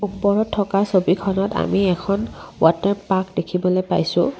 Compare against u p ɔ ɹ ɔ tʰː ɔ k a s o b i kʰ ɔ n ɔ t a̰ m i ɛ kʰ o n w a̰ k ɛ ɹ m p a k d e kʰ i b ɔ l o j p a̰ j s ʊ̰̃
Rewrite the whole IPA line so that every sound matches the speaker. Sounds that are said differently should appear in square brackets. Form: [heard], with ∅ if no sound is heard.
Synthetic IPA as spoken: u p ɔ ɹ ɔ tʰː ɔ k a s o b i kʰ ɔ n ɔ t a̰ m i ɛ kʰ [ɔ] n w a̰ [t] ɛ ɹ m p a k d e kʰ i b ɔ l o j p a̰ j s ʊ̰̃